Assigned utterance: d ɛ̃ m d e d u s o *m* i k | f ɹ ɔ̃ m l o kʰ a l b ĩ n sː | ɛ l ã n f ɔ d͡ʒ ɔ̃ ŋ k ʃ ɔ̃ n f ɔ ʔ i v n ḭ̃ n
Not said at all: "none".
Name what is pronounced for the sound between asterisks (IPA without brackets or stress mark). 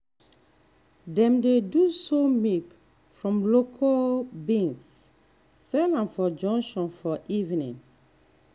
m